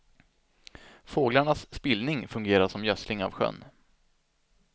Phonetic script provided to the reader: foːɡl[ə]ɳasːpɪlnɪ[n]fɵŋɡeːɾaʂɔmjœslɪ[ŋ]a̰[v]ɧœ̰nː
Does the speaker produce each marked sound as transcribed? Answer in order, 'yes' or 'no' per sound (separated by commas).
no, no, yes, yes